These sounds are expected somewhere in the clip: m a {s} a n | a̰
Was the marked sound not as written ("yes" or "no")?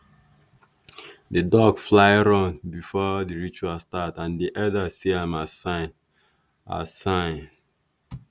no